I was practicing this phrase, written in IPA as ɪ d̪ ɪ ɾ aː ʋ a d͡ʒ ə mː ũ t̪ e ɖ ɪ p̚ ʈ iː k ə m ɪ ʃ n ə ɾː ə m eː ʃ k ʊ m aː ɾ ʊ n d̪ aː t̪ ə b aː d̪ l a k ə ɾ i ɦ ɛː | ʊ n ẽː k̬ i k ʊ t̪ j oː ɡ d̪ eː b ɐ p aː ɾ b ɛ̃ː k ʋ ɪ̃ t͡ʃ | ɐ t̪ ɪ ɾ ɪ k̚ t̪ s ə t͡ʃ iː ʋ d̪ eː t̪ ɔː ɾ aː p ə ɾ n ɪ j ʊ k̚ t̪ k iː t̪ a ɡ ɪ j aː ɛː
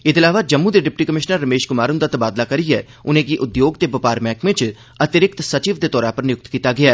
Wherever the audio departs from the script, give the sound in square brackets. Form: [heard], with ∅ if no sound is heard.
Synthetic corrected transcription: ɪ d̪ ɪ [l] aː ʋ a d͡ʒ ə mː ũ [d̪] e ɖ ɪ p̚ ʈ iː k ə m ɪ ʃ n ə ɾː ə m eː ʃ k ʊ m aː ɾ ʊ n d̪ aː t̪ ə b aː d̪ l a k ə ɾ i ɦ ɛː | ʊ n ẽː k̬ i [ʔ] ʊ [d̪] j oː ɡ [t̪] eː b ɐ p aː ɾ [m] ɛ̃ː k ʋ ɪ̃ t͡ʃ | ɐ t̪ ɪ ɾ ɪ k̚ t̪ s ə t͡ʃ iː ʋ d̪ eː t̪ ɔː ɾ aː p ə ɾ n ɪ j ʊ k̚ t̪ k iː t̪ a ɡ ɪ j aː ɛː

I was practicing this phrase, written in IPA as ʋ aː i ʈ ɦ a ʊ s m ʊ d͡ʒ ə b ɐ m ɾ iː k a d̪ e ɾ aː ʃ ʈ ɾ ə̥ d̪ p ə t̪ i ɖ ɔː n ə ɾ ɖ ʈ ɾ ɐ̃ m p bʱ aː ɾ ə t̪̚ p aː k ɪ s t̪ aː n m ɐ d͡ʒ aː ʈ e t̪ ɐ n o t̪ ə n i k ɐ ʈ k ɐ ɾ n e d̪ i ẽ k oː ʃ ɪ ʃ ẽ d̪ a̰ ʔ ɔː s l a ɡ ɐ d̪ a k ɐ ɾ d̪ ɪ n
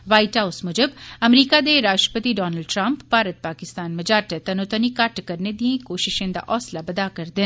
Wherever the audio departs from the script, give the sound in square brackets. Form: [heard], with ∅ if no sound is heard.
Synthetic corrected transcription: ʋ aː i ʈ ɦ a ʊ s m ʊ d͡ʒ ə b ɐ m ɾ iː k a d̪ e ɾ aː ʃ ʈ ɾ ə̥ [∅] p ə t̪ i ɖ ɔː n ə [l] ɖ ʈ ɾ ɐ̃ m p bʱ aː ɾ ə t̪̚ p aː k ɪ s t̪ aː n m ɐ d͡ʒ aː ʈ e t̪ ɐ n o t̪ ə n i k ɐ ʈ k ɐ ɾ n e d̪ i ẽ k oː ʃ ɪ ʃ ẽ d̪ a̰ ʔ ɔː s l a [b] ɐ d̪ a k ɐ ɾ d̪ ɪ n

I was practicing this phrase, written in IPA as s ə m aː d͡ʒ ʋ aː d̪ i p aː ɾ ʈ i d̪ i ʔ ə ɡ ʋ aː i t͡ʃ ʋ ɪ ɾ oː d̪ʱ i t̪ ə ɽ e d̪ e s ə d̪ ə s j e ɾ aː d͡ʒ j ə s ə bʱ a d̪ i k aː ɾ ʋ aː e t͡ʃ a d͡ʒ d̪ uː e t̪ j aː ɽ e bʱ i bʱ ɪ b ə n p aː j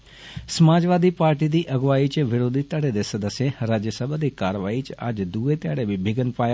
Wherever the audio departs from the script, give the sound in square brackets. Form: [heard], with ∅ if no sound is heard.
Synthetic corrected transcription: s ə m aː d͡ʒ ʋ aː d̪ i p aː ɾ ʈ i d̪ i ʔ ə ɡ ʋ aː i t͡ʃ ʋ ɪ ɾ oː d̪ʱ i t̪ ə ɽ e d̪ e s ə d̪ ə s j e ɾ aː d͡ʒ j ə s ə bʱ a d̪ i k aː ɾ ʋ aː [i] t͡ʃ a d͡ʒ d̪ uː e t̪ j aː ɽ e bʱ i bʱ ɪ [ɡ] ə n p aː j

